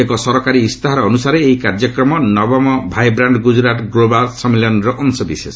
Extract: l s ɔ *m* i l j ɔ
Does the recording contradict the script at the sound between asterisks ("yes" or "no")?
no